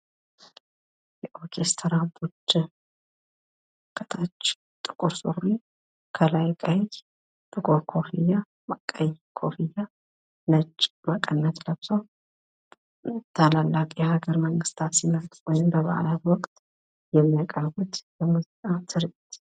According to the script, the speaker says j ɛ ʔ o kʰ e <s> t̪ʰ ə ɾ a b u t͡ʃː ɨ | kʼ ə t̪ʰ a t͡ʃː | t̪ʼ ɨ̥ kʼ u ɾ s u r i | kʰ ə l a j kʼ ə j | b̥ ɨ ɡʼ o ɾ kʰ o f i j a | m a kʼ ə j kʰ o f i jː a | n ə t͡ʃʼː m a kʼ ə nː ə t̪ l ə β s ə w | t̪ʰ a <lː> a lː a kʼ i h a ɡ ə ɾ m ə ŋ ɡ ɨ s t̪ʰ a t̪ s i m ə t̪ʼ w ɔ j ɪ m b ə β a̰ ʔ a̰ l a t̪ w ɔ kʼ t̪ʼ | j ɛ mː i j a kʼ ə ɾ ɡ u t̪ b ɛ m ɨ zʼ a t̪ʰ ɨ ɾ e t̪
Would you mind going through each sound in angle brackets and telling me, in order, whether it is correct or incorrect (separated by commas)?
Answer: correct, incorrect